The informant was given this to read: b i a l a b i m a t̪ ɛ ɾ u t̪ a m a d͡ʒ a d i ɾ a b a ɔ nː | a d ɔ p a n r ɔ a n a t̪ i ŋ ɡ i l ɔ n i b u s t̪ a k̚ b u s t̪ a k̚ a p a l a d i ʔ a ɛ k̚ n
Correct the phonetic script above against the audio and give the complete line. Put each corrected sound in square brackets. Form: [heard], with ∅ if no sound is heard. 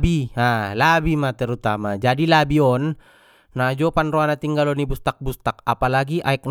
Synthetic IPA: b i a l a b i m a t̪ ɛ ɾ u t̪ a m a d͡ʒ a d i [l] a b [i] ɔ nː | a [d͡ʒ] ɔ p a n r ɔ a n a t̪ i ŋ ɡ [a] l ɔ n i b u s t̪ a k̚ b u s t̪ a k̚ a p a l a [ɡ] i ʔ a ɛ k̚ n